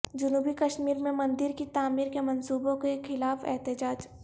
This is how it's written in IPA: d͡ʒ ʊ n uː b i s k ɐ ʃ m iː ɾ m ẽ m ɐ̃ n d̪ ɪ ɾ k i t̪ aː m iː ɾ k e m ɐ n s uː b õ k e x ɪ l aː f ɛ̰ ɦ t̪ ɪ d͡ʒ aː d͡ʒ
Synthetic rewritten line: d͡ʒ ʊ n uː b i k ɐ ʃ m iː ɾ m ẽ m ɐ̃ n d̪ ɪ ɾ k i t̪ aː m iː ɾ k e m ɐ n s uː b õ k e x ɪ l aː f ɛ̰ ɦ t̪ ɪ d͡ʒ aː d͡ʒ

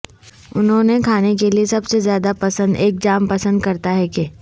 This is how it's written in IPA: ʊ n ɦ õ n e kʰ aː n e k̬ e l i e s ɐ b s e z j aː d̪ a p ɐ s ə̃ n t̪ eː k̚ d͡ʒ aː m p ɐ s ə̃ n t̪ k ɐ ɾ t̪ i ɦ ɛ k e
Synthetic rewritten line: ʊ n ɦ õ n e kʰ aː n e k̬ e l i e s ɐ b s e z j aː d̪ a p ɐ s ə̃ n d̪ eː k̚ d͡ʒ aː m p ɐ s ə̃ n d̪ k ɐ ɾ t̪ a ɦ ɛ k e

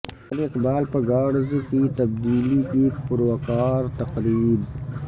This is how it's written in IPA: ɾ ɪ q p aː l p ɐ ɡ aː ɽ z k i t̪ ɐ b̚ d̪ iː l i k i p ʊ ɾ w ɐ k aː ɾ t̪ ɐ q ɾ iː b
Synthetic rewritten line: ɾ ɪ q b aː l p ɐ ɡ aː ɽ z k i t̪ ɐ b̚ d̪ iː l i k i p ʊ ɾ w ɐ k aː ɾ t̪ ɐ q ɾ iː b

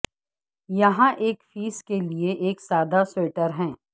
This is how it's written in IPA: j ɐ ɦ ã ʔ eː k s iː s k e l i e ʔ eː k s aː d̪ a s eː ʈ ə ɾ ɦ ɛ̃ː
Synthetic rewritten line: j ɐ ɦ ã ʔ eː k f iː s k e l i e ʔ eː k s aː d̪ a s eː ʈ ə ɾ ɦ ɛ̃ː

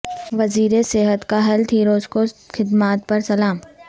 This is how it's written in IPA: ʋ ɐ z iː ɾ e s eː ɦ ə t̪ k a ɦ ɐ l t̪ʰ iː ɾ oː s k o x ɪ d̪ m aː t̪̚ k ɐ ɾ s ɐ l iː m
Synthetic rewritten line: ʋ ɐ z iː ɾ e s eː ɦ ə t̪ k a ɦ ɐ l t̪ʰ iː ɾ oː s k o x ɪ d̪ m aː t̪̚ p ɐ ɾ s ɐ l aː m

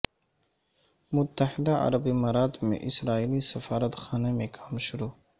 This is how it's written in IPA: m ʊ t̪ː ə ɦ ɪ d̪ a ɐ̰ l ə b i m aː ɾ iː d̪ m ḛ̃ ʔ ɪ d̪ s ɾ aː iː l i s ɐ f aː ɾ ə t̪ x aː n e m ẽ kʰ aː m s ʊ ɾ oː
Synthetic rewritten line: m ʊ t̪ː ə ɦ ɪ d̪ a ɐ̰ ɾ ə b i m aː ɾ aː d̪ m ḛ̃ ʔ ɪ s ɾ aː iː l i s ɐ f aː ɾ ə t̪ x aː n e m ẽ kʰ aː m ʃ ʊ ɾ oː

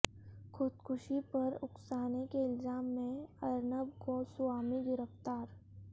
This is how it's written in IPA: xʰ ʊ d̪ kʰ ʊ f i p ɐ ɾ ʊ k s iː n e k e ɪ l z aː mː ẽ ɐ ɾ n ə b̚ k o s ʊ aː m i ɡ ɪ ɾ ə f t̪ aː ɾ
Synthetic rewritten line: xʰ ʊ d̪ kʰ ʊ ʃ i p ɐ ɾ ʊ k s aː n e k e ɪ l z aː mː ẽ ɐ ɾ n ə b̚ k o s ʊ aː m i ɡ ɪ ɾ ə f t̪ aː ɾ

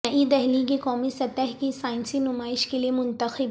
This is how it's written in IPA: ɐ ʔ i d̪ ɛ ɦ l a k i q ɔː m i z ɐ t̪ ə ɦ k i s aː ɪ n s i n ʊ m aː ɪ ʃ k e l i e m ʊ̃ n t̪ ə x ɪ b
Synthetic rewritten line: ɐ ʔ i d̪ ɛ ɦ l i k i k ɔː m i s ɐ t̪ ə ɦ k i s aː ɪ n s i n ʊ m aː ɪ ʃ k e l i e m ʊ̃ n t̪ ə x ɪ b

